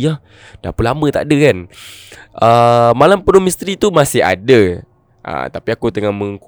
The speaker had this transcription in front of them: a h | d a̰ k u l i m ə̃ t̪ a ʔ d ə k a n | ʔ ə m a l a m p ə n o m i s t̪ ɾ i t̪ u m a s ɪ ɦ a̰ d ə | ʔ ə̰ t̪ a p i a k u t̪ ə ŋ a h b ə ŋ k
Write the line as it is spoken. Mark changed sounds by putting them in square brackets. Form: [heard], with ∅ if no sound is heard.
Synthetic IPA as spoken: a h | d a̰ [p] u l [a] m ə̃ t̪ a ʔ d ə k a n | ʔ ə m a l a m p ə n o m i s t̪ ɾ i t̪ u m a s ɪ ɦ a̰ d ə | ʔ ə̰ t̪ a p i a k u t̪ ə ŋ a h [m] ə ŋ k